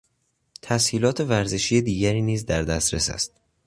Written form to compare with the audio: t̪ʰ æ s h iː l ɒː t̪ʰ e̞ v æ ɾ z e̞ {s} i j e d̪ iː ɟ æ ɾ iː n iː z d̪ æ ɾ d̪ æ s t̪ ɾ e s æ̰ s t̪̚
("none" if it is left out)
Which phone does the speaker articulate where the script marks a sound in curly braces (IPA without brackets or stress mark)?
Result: ʃ